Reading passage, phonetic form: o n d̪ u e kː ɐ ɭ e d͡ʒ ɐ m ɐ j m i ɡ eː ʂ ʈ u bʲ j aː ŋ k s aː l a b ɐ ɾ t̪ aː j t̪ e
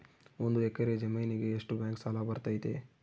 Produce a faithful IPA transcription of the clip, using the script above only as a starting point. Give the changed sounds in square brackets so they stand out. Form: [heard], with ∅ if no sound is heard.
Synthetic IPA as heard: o n d̪ u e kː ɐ [ɾ] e d͡ʒ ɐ m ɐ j [n] i ɡ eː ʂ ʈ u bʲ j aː ŋ k s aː l a b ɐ ɾ t̪ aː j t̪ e